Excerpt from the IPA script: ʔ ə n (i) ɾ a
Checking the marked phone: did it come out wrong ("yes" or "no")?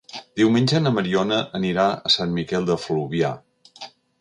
no